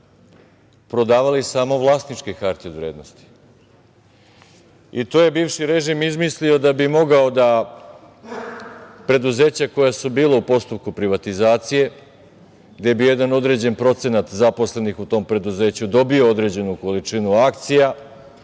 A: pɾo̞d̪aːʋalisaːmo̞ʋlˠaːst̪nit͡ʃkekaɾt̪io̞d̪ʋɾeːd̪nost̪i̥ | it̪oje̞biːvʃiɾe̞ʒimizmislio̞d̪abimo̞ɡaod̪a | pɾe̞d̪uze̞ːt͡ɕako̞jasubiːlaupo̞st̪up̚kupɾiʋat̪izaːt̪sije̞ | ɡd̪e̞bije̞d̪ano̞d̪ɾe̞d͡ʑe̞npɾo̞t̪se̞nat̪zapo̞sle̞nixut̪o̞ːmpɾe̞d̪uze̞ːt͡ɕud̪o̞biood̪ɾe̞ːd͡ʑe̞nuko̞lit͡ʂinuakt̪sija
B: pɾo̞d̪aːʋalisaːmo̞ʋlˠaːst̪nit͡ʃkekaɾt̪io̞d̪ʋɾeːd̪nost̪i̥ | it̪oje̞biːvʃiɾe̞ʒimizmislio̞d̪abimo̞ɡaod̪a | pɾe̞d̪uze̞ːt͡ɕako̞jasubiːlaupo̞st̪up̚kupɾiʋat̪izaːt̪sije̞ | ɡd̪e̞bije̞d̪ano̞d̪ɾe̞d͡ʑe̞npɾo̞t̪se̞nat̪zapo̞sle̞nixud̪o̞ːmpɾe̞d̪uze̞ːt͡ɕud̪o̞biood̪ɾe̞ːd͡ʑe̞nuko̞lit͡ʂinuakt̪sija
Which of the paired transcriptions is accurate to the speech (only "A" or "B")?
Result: A